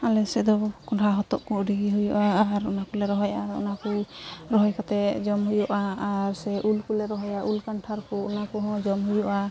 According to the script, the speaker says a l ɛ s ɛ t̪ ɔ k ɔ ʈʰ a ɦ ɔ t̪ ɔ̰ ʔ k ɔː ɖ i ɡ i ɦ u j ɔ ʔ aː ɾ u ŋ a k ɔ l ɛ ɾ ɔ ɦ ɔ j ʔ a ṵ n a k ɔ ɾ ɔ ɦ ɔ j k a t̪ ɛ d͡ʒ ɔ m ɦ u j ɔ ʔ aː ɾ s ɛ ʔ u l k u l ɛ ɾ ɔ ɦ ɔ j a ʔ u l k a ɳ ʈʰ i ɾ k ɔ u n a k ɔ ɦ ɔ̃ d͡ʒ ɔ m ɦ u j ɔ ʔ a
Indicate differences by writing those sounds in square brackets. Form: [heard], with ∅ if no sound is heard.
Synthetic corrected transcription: a l ɛ s ɛ [d̪] ɔ k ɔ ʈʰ a ɦ ɔ t̪ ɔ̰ ʔ k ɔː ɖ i ɡ i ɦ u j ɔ ʔ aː ɾ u [n] a k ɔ l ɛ ɾ ɔ ɦ ɔ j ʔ a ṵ n a k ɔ ɾ ɔ ɦ ɔ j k a t̪ ɛ d͡ʒ ɔ m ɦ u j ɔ ʔ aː ɾ s ɛ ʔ u l k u l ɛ ɾ ɔ ɦ ɔ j a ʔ u l k a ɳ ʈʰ [a] ɾ k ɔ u n a k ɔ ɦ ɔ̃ d͡ʒ ɔ m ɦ u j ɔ ʔ a